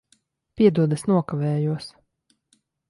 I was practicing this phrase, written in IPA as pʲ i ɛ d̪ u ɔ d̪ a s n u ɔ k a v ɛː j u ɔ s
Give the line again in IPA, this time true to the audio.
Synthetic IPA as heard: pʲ i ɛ d̪ u ɔ d̪ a s n u ɔ k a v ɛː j u ɔ s